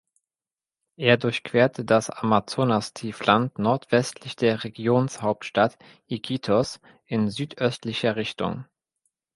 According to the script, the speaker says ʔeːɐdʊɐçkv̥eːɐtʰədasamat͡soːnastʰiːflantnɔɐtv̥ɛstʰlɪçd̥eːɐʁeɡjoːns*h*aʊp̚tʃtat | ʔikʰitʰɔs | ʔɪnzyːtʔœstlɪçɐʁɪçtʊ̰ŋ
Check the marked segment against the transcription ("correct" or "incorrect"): correct